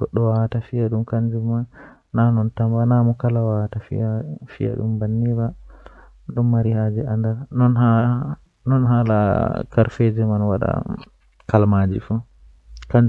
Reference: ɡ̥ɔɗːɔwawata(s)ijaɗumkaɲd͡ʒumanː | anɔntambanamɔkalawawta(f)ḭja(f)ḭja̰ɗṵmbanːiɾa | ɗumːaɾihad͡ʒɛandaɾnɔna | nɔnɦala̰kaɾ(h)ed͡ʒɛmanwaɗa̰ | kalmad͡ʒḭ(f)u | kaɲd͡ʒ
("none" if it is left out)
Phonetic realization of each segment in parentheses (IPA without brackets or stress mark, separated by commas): f, f, f, f, f